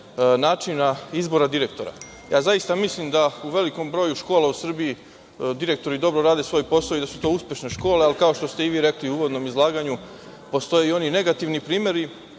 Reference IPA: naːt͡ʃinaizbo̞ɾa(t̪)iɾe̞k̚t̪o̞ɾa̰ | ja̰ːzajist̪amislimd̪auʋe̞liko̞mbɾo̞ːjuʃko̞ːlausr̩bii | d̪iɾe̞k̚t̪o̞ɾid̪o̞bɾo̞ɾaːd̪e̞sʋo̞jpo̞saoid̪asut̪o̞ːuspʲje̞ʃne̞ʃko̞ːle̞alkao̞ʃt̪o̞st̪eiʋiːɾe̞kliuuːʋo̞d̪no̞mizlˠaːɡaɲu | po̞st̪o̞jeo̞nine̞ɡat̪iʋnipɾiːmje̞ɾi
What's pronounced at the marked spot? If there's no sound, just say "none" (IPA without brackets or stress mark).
d̪